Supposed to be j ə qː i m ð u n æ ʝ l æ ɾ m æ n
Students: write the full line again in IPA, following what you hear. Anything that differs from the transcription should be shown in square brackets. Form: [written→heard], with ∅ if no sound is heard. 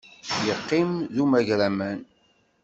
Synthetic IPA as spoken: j ə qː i m ð u [n→m] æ ʝ [l→ɾ] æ [ɾ→∅] m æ n